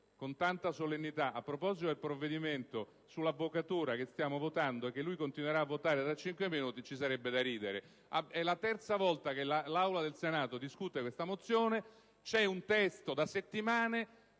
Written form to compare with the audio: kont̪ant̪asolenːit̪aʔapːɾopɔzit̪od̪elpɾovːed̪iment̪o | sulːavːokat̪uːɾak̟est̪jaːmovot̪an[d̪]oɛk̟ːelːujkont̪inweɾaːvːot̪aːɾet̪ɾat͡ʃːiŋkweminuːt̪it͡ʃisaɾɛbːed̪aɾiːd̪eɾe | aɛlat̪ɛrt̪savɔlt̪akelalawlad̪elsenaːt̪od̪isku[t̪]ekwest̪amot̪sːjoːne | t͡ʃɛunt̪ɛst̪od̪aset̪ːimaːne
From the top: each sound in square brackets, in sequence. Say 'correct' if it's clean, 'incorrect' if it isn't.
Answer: correct, correct

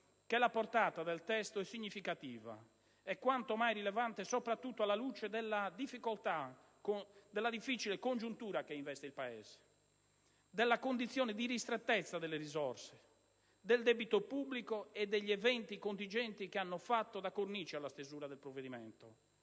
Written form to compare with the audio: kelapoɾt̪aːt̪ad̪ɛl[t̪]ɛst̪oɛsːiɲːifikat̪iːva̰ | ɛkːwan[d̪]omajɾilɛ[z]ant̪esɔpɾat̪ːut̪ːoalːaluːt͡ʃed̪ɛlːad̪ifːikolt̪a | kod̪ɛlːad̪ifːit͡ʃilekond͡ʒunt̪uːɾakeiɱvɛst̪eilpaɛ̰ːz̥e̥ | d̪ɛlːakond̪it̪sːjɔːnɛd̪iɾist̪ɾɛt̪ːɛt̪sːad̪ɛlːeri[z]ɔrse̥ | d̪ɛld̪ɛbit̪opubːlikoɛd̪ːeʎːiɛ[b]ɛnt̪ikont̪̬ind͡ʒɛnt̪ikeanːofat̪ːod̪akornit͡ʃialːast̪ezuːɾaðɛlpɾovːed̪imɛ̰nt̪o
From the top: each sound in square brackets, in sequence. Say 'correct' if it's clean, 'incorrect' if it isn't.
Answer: correct, incorrect, incorrect, correct, incorrect

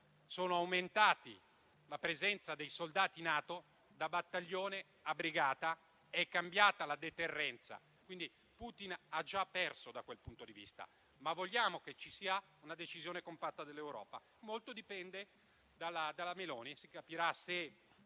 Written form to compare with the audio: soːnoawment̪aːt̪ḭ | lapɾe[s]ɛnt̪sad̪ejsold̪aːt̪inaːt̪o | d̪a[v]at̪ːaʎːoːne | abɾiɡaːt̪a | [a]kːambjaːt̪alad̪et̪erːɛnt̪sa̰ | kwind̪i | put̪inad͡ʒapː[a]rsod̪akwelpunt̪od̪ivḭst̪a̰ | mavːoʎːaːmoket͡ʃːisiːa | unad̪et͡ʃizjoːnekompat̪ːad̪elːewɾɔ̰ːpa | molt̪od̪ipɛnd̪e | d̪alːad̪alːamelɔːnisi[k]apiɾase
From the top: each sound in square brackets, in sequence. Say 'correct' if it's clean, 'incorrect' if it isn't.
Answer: incorrect, incorrect, incorrect, incorrect, correct

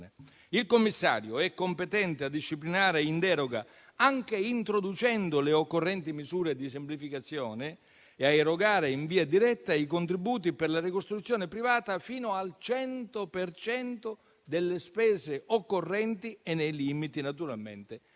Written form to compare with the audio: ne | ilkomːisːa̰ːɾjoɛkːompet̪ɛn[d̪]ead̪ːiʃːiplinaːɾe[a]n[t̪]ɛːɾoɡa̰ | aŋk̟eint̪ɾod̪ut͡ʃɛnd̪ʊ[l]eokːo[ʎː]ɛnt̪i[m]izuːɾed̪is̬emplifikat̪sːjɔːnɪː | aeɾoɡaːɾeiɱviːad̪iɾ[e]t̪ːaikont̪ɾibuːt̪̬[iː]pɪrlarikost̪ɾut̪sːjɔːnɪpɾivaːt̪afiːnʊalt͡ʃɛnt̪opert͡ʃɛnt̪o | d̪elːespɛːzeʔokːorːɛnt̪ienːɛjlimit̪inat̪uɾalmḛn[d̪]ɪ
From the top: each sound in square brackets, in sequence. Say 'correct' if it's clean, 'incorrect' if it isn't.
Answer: incorrect, incorrect, incorrect, correct, incorrect, correct, incorrect, incorrect, incorrect

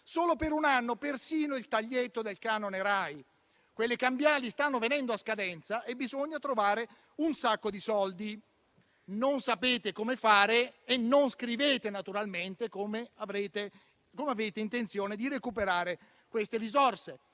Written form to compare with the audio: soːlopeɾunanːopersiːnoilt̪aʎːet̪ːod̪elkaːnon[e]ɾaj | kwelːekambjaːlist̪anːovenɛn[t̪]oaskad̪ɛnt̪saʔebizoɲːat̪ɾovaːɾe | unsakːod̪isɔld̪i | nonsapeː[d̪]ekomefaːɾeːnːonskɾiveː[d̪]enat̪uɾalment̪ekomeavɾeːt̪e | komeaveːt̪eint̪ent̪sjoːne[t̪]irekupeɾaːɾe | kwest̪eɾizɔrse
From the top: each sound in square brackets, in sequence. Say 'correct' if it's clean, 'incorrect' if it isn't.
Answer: correct, incorrect, incorrect, incorrect, incorrect

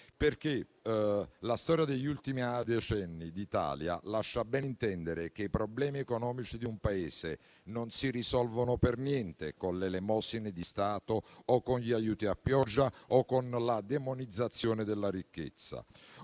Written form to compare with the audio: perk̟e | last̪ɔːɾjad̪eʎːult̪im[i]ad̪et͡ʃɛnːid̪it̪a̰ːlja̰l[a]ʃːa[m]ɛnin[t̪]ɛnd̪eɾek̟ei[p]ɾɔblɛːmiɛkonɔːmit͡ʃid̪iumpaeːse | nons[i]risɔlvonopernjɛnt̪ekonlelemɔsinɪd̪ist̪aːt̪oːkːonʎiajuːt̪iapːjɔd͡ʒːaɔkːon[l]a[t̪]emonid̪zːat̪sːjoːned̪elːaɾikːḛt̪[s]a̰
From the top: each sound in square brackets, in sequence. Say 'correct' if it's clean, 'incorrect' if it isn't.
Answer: correct, correct, incorrect, correct, correct, correct, correct, incorrect, incorrect

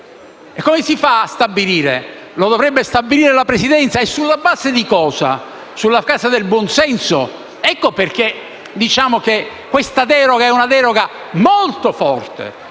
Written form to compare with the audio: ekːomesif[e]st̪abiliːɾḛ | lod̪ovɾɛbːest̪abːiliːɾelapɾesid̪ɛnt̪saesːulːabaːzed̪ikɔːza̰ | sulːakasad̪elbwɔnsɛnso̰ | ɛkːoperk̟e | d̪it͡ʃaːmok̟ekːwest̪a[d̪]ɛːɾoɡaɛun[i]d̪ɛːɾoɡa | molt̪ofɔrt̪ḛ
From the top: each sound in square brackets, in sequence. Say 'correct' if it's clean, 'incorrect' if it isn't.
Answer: incorrect, correct, incorrect

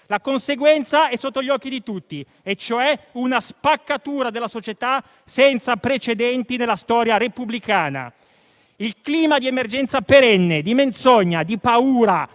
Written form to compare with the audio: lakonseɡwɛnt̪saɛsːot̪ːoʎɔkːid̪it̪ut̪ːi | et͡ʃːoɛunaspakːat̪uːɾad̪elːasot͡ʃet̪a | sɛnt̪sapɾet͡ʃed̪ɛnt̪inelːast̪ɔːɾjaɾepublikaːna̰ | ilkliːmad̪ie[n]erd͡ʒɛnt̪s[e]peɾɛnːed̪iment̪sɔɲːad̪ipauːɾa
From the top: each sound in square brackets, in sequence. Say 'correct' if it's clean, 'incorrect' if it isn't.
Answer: incorrect, incorrect

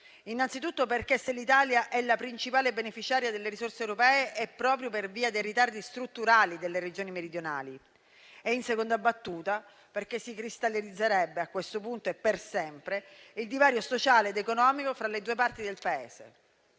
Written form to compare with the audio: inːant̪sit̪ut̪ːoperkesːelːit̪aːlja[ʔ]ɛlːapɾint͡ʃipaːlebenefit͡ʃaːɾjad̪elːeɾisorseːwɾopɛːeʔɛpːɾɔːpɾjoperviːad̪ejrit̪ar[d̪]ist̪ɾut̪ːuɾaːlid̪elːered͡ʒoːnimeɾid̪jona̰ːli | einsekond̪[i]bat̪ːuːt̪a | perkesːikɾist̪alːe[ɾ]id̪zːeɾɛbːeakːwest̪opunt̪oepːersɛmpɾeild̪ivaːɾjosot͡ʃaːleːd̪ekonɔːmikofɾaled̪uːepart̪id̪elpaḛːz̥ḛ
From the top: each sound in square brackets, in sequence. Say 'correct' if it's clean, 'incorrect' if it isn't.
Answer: correct, correct, incorrect, correct

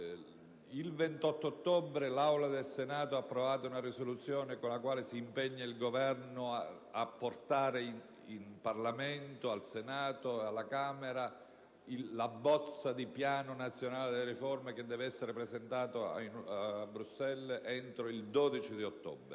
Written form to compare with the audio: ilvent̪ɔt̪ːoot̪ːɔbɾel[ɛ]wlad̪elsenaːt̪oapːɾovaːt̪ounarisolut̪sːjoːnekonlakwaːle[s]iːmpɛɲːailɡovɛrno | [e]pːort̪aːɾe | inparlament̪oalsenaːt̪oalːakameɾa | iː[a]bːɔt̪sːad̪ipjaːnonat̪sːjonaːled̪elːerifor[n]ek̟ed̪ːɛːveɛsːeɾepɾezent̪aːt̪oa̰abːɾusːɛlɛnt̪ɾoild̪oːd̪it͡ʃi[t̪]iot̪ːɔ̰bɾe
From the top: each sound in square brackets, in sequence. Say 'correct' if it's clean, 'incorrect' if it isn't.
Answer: incorrect, correct, incorrect, correct, incorrect, incorrect

